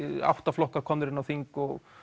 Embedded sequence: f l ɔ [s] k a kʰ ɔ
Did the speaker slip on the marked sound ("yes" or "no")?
yes